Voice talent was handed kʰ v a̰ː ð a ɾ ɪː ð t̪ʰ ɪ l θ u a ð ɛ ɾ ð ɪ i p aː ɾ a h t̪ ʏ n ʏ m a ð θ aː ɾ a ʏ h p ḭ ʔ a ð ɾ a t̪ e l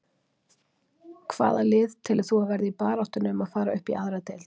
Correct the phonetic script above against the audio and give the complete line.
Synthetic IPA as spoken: kʰ v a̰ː ð a l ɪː ð t̪ʰ ɪ l θ u a v ɛ ɾ ð ɪ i p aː ɾ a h t̪ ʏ n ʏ m a ð f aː ɾ a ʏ h p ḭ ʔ a ð ɾ a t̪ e l